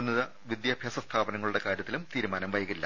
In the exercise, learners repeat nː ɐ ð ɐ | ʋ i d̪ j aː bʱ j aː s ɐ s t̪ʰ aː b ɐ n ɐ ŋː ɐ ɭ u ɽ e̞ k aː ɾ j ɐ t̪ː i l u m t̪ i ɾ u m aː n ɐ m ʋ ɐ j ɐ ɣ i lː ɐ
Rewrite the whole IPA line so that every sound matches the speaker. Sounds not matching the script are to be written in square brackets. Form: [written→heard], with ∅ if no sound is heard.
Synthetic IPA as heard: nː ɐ ð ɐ | ʋ i d̪ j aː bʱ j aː s ɐ s t̪ʰ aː b ɐ n ɐ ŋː ɐ ɭ u ɽ e̞ k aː ɾ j ɐ t̪ː i l u m t̪ [i→iː] ɾ u m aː n ɐ m ʋ ɐ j ɐ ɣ i lː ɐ